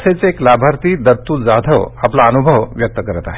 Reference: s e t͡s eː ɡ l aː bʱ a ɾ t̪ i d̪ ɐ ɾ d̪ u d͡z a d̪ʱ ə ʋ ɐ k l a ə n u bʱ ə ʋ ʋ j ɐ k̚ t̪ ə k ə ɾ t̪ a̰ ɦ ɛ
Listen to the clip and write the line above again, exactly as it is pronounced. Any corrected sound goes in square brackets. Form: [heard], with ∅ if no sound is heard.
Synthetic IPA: s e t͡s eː [k] l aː bʱ a ɾ t̪ i d̪ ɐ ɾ [t̪] u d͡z a d̪ʱ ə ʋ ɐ [p] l a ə n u bʱ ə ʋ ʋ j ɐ k̚ t̪ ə k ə ɾ t̪ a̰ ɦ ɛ

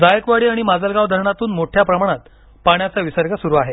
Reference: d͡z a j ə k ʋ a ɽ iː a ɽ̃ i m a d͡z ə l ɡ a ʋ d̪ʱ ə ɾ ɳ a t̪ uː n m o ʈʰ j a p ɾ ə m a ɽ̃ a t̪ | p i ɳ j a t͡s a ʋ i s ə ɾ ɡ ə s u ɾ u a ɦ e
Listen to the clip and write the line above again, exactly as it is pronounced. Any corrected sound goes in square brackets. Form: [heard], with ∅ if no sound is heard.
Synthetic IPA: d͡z a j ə k ʋ a ɽ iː a ɽ̃ i m a d͡z ə l ɡ a ʋ d̪ʱ ə ɾ ɳ a t̪ uː n m o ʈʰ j a p ɾ ə m a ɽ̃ a t̪ | p [a] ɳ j a t͡s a ʋ i s ə ɾ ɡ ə s u ɾ u a ɦ e

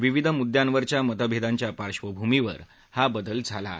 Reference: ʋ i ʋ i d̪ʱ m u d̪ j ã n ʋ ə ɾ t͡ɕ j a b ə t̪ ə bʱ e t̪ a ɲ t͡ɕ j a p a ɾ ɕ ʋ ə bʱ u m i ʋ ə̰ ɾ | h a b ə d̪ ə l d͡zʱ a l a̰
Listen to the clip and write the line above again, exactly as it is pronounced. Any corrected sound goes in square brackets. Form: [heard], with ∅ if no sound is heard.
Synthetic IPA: ʋ i ʋ i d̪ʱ m u d̪ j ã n ʋ ə ɾ t͡ɕ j a [m] ə t̪ ə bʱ e [d̪] a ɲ t͡ɕ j a p a ɾ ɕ ʋ ə bʱ u m i ʋ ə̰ ɾ | h a b ə d̪ ə l d͡zʱ a l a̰

